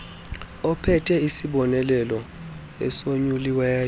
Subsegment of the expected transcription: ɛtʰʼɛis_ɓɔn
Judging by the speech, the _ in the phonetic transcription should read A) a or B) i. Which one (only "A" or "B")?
B